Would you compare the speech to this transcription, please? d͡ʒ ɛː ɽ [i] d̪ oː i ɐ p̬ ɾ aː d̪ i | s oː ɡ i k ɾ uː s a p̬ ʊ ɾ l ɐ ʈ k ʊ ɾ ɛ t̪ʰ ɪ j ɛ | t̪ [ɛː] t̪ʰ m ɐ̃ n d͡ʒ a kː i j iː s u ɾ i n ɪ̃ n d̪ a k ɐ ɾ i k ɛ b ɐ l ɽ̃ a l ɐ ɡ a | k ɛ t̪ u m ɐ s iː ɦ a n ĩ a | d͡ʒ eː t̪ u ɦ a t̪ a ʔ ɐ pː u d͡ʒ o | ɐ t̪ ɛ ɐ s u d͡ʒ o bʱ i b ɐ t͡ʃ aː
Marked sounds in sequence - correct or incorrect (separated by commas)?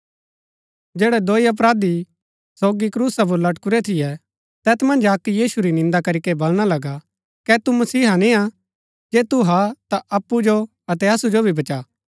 incorrect, correct